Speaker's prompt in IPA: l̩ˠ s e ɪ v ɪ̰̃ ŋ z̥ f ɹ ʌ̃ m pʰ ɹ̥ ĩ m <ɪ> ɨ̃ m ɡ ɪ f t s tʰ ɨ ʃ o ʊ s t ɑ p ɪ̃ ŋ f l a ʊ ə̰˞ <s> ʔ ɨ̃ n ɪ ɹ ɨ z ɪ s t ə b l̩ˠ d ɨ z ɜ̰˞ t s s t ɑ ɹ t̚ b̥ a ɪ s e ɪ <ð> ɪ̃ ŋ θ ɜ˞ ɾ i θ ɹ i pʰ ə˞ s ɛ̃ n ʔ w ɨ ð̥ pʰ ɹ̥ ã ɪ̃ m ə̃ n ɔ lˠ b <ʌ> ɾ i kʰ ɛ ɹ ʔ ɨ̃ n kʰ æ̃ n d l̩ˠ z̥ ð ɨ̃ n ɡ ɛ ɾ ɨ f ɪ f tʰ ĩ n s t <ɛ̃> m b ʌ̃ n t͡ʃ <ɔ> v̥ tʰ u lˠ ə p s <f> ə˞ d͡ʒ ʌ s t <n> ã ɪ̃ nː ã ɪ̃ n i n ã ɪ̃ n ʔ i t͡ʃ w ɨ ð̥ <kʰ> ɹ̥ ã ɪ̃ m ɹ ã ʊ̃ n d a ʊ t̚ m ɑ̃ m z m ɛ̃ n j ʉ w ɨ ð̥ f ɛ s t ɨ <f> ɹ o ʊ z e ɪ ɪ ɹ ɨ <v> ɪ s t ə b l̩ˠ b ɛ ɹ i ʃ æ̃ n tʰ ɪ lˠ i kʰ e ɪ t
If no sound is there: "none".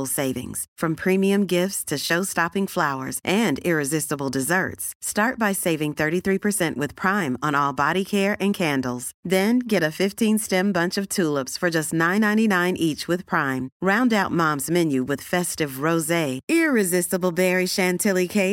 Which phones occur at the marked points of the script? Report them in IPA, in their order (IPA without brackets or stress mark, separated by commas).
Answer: i, z, v, ɑ, ɛ̃, ʌ, f, n, pʰ, v, z